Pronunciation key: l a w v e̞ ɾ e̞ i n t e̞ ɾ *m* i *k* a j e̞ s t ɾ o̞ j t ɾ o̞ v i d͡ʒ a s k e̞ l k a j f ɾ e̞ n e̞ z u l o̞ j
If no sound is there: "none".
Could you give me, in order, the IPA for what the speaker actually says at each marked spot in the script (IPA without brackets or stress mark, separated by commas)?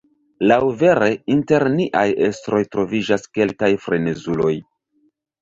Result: n, ʔ